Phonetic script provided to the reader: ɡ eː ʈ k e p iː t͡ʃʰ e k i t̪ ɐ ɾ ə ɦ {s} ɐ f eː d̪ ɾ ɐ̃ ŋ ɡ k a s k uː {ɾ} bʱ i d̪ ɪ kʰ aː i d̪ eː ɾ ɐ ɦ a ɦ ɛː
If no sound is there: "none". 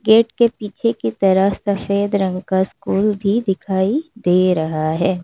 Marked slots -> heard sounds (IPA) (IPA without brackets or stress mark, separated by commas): s, l